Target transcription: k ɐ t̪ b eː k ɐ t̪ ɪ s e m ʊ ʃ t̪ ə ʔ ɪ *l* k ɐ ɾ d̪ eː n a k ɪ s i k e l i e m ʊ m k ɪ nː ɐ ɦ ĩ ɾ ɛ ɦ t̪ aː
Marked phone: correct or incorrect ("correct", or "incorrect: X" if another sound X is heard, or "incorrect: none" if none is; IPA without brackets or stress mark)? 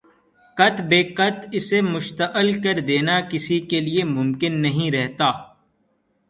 correct